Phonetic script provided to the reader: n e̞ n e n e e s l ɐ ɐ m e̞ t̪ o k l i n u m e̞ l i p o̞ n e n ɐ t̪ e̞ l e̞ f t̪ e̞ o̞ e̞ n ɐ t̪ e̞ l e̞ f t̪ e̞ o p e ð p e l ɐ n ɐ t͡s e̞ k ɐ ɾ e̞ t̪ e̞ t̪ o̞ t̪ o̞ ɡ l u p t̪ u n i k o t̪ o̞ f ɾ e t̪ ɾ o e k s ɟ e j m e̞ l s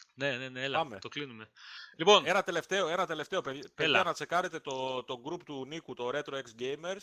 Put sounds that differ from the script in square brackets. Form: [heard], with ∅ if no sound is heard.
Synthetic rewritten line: n e̞ n e n e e [∅] l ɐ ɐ m e̞ t̪ o k l i n u m e̞ l i p o̞ n e n ɐ t̪ e̞ l e̞ f t̪ e̞ o̞ e̞ n ɐ t̪ e̞ l e̞ f t̪ e̞ o p e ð p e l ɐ n ɐ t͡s e̞ k ɐ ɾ e̞ t̪ e̞ t̪ o̞ t̪ o̞ ɡ [ɾ] u p t̪ u n i k [u] t̪ o̞ [∅] ɾ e t̪ ɾ o e k s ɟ e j m e̞ [ɾ] s